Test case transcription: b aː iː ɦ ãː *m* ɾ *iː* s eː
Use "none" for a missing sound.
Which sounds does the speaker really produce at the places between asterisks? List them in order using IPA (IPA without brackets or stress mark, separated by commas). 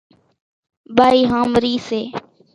m, iː